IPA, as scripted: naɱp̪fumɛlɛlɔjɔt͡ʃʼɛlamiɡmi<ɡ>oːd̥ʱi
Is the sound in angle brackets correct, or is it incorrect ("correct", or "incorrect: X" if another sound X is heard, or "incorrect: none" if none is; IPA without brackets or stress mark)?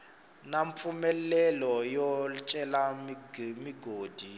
correct